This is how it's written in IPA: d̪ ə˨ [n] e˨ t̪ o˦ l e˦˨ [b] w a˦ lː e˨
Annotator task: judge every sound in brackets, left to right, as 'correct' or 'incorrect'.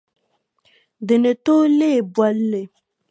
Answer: correct, correct

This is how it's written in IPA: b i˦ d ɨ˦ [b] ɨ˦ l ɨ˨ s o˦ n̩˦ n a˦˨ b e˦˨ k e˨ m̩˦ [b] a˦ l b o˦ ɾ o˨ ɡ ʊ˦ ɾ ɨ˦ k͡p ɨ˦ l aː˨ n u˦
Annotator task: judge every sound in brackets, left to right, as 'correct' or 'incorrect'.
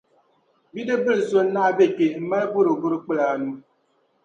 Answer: correct, incorrect

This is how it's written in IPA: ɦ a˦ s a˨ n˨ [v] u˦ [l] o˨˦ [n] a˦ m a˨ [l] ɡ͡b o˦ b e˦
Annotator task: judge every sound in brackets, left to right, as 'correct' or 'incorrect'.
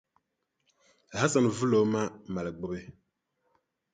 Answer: correct, correct, incorrect, correct

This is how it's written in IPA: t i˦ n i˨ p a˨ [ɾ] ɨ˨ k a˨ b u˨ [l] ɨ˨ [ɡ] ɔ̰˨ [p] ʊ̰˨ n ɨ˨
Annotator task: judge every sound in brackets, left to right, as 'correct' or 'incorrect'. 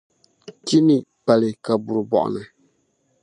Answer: incorrect, incorrect, incorrect, incorrect

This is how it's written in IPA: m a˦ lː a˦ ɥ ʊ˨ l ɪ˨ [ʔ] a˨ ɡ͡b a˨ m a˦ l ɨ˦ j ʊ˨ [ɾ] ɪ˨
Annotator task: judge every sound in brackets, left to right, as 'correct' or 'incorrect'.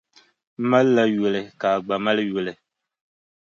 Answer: incorrect, incorrect

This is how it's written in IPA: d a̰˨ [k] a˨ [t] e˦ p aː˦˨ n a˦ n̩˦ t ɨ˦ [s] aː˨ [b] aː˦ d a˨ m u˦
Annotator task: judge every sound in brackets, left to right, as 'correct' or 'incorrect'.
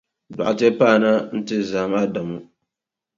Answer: incorrect, correct, incorrect, incorrect

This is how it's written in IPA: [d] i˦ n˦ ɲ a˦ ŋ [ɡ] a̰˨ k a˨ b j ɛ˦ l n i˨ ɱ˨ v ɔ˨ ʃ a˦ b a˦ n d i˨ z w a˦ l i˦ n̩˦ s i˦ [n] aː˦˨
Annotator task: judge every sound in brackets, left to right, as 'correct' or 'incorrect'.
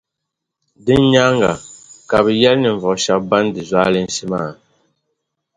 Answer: correct, correct, incorrect

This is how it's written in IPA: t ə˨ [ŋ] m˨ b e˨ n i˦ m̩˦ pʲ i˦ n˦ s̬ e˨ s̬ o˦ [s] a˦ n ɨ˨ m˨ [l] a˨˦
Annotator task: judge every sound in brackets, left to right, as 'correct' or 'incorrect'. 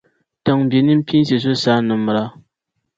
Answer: correct, correct, incorrect

